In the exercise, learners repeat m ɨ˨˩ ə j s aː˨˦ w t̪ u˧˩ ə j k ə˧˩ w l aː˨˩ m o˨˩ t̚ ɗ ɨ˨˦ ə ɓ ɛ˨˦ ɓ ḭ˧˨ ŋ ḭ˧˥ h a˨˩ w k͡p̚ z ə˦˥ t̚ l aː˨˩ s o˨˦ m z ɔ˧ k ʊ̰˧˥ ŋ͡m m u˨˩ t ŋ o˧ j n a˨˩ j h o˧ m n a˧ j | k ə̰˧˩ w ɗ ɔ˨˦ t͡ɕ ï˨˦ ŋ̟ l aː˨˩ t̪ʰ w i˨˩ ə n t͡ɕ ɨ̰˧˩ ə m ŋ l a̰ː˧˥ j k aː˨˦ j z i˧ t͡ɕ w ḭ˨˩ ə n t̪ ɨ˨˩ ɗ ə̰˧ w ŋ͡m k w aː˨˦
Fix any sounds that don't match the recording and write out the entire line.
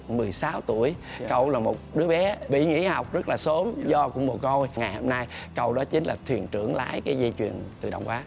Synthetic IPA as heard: m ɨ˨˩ ə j s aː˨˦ w t̪ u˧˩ ə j k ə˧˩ w l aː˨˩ m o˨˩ t̚ ɗ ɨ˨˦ ə ɓ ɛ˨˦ ɓ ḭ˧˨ ŋ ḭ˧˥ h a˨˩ w k͡p̚ z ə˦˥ t̚ l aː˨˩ s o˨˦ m z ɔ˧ k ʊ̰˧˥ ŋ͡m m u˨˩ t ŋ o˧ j ŋ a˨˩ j h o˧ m n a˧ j | k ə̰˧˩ w ɗ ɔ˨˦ t͡ɕ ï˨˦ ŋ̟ l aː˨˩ t̪ʰ w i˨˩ ə n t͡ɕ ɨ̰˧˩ ə ŋ l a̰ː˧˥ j k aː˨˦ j z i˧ t͡ɕ w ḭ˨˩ ə n t̪ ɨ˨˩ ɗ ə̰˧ w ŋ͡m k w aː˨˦